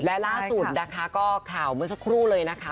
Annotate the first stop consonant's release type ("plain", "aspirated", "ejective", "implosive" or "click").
plain